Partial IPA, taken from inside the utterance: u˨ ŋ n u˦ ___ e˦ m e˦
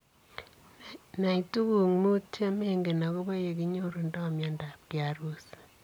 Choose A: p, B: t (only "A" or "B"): B